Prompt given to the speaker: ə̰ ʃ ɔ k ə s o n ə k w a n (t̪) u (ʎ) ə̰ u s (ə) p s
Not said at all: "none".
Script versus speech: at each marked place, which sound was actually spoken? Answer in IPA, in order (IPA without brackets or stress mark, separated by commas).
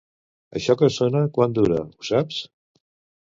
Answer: d̪, ɾ, a